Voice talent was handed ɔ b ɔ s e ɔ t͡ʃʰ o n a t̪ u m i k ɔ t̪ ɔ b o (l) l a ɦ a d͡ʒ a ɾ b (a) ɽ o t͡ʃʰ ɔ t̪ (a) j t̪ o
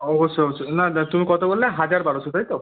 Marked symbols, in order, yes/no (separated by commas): yes, yes, yes